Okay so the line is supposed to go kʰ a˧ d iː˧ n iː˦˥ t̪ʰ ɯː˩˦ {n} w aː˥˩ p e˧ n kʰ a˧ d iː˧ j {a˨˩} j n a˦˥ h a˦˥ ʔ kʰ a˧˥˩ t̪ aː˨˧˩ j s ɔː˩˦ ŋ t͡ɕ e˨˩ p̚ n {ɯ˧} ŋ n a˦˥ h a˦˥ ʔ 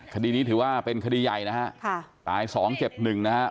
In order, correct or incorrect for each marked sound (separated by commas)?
incorrect, correct, incorrect